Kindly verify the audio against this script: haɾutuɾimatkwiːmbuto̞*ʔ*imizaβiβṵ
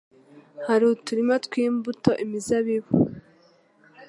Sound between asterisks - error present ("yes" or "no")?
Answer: no